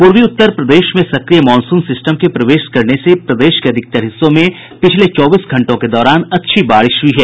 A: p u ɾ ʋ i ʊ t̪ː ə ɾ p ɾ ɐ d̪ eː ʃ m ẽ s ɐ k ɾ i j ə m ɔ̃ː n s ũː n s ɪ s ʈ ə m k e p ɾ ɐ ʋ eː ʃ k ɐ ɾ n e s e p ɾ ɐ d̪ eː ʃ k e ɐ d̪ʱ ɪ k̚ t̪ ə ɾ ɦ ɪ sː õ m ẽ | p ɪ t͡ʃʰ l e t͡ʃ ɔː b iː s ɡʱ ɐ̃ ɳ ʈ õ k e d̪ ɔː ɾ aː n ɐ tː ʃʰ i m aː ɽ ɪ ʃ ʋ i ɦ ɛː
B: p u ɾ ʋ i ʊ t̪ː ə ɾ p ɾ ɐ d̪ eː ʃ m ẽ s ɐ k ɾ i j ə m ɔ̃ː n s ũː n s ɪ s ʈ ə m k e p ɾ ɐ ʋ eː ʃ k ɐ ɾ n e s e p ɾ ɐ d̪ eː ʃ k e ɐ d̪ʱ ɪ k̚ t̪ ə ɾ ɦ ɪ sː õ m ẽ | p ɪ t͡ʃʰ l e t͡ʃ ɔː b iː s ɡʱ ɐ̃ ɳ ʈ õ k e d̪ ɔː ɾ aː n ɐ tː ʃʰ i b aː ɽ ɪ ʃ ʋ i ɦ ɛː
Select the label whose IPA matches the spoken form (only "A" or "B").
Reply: B